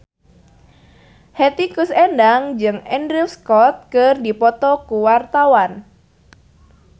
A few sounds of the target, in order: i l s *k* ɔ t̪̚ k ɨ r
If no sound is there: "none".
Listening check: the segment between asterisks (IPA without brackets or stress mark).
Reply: k